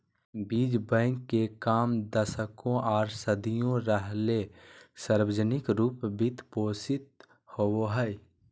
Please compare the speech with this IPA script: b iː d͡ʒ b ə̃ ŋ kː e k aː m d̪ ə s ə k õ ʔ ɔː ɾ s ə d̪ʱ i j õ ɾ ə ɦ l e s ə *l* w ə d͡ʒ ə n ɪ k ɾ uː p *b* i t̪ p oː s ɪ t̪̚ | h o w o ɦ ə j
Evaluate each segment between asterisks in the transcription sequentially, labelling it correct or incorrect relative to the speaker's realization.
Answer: incorrect: ɾ, correct

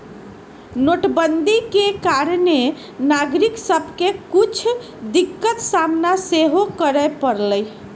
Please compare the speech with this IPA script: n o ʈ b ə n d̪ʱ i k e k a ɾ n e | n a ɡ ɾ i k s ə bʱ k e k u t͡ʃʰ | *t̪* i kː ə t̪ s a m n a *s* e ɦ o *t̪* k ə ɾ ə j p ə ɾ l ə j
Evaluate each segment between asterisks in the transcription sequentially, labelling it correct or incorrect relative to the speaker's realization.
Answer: incorrect: d̪, correct, incorrect: none

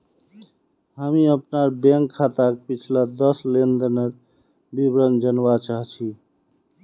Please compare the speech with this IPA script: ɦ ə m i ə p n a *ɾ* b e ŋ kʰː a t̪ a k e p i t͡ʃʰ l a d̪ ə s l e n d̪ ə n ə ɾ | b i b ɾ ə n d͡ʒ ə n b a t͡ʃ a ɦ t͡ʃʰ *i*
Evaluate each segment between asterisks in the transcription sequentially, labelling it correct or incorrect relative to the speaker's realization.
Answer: correct, correct

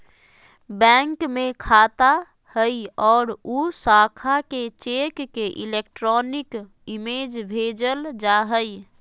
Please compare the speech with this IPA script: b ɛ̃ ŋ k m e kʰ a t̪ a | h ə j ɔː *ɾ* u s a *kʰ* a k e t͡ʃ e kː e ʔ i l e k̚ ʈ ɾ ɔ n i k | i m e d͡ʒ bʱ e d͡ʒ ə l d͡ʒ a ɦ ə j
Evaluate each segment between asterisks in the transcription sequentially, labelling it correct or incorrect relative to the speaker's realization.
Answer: correct, correct

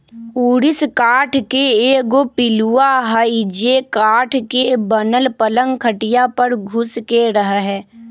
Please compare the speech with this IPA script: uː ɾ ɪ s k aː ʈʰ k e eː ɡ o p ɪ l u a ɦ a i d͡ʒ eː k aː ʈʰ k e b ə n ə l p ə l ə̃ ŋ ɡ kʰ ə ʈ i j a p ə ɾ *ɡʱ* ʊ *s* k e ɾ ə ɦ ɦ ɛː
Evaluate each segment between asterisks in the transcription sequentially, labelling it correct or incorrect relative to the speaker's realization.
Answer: correct, correct

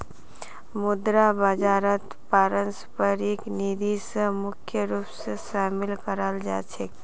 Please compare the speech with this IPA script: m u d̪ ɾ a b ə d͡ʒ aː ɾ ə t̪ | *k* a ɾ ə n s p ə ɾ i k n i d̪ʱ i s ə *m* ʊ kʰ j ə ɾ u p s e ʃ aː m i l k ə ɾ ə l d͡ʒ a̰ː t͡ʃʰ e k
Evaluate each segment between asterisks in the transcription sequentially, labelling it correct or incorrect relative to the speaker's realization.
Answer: incorrect: p, correct

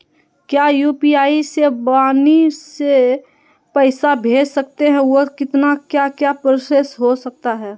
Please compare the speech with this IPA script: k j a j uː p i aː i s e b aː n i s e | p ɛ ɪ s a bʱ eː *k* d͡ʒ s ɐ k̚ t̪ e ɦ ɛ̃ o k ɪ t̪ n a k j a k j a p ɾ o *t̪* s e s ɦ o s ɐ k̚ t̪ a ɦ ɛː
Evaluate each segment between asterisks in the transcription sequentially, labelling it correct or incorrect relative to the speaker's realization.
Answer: incorrect: none, incorrect: none

